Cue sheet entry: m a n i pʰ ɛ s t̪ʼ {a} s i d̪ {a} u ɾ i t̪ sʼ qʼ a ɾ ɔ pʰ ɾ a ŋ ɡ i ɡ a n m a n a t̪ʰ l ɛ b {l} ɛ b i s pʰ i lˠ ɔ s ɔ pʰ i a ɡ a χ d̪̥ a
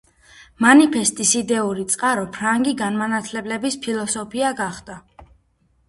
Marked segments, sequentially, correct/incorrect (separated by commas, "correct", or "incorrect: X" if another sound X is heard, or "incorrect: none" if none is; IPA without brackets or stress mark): incorrect: i, incorrect: ɛ, correct